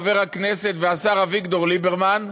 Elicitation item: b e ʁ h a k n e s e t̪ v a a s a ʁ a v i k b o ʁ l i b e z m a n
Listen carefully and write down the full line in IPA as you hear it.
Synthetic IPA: v e ʁ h a k n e s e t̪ v e a s a ʁ a v i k d o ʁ l i b e ʁ m a n